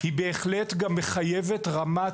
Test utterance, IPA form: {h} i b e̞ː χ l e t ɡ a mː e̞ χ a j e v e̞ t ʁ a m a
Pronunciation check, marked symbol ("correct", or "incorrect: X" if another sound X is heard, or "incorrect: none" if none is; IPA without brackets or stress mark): correct